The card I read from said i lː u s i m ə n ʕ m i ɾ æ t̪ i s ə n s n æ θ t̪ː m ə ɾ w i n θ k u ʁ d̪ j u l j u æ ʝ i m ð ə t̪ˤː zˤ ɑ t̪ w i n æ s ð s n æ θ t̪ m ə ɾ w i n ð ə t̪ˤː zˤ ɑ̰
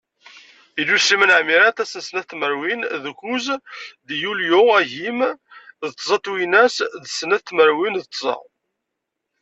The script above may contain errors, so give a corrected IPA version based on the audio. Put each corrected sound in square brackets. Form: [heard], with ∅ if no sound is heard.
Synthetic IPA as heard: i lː u s i m ə n ʕ m i ɾ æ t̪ [æ] s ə n s n æ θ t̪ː m ə ɾ w i n [ð] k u [z] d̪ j u l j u æ ʝ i m ð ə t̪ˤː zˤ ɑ t̪ w i n æ s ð s n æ θ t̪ m ə ɾ w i n ð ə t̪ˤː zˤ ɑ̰